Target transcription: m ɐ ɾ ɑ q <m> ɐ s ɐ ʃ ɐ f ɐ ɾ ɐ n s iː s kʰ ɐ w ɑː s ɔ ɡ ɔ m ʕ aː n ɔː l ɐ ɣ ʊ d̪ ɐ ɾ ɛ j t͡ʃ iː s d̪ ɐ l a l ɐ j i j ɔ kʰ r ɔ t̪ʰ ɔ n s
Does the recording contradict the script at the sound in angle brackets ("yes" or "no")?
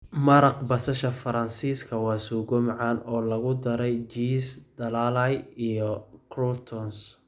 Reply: yes